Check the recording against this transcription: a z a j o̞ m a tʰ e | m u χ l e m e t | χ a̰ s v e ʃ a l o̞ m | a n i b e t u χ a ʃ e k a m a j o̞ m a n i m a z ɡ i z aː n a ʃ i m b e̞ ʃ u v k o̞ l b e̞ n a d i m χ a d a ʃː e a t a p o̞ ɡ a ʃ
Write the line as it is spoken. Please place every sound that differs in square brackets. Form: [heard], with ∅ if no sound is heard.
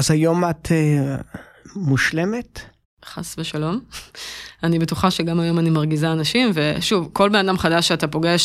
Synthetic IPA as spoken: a z a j o̞ m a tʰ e | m u [ʃ] l e m e t | χ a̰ s v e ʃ a l o̞ m | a n i b e t u χ a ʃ e [ɡ] a m a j o̞ m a n i m a [ʁ] ɡ i z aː n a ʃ i m [v] e̞ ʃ u v k o̞ l b e̞ n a d [a] m χ a d a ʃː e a t a p o̞ ɡ [e] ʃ